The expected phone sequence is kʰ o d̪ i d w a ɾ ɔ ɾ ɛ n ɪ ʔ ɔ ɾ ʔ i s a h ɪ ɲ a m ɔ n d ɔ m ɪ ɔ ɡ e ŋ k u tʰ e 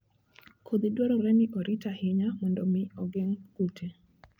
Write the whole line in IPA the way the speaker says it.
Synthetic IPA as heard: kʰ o d̪ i d w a ɾ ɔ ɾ ɛ n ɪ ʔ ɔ ɾ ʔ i t a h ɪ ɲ a m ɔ n d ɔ m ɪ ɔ ɡ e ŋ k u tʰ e